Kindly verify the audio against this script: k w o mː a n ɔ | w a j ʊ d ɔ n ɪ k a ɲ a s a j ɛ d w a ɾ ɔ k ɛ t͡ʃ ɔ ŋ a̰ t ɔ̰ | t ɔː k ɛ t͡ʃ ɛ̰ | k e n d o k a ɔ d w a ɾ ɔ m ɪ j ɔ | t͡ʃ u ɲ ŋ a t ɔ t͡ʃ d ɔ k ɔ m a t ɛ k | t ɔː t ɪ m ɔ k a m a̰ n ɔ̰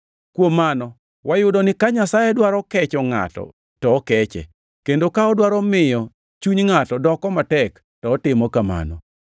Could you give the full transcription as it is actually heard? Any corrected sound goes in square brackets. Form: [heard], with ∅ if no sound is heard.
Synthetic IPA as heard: k w o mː a n ɔ | w a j ʊ d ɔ n ɪ k a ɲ a s a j ɛ d w a ɾ ɔ k ɛ t͡ʃ ɔ ŋ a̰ t ɔ̰ | t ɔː k ɛ t͡ʃ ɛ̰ | k e n d o k a ɔ d w a ɾ ɔ m ɪ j ɔ | t͡ʃ u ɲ ŋ a t ɔ [∅] d ɔ k ɔ m a t ɛ k | t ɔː t ɪ m ɔ k a m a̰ n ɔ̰

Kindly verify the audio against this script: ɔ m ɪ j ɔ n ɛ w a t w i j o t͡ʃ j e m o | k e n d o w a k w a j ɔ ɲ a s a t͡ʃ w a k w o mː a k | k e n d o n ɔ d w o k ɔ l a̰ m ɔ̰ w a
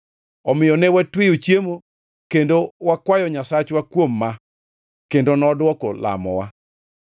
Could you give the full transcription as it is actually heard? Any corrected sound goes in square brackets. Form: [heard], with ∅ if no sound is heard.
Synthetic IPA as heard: ɔ m ɪ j ɔ n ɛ w a t w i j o t͡ʃ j e m o | k e n d o w a k w a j ɔ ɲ a s a t͡ʃ w a k w o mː a [∅] | k e n d o n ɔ d w [ɔ] k ɔ l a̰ m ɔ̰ w a

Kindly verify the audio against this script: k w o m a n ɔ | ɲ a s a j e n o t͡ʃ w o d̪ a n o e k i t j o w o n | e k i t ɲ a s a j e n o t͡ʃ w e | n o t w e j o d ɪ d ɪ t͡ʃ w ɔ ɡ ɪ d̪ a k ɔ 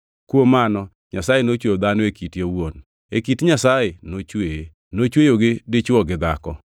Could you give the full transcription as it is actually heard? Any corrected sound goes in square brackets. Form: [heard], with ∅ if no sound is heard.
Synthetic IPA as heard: k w o m a n ɔ | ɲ a s a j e n o t͡ʃ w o d̪ a n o e k i t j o w o n | e k i t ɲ a s a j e n o t͡ʃ w e | n o [t͡ʃ] w e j o [ɡ] ɪ d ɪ t͡ʃ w ɔ ɡ ɪ d̪ a k ɔ

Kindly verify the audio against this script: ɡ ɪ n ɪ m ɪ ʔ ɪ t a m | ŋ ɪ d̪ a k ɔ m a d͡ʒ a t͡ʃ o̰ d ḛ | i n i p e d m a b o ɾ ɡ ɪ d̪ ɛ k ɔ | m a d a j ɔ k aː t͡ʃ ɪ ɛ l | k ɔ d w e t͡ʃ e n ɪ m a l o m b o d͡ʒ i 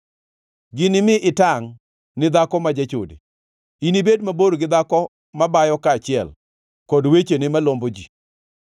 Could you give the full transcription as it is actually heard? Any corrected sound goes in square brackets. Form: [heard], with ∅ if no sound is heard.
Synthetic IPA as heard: ɡ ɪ n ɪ m ɪ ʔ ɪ t a [ŋ] | [n] ɪ d̪ a k ɔ m a d͡ʒ a t͡ʃ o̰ d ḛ | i n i [b] e d m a b o ɾ ɡ ɪ d̪ [a] k ɔ | m a [b] a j ɔ k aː t͡ʃ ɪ ɛ l | k ɔ d w e t͡ʃ e n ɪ m a l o m b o d͡ʒ i

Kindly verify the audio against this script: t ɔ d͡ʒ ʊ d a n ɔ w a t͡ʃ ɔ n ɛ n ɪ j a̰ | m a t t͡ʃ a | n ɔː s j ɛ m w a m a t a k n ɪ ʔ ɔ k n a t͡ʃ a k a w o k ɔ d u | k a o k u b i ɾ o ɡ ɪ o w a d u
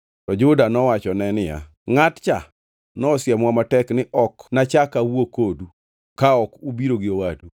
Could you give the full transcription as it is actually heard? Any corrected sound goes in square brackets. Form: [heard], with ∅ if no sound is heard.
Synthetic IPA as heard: t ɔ d͡ʒ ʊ d a n ɔ w a t͡ʃ ɔ n ɛ n ɪ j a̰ | [ŋ] a t t͡ʃ a | n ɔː s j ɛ m w a m a t [ɛ] k n ɪ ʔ ɔ k n a t͡ʃ a k a w o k [o] d u | k a [ɔ] k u b i ɾ o ɡ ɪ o w a d u

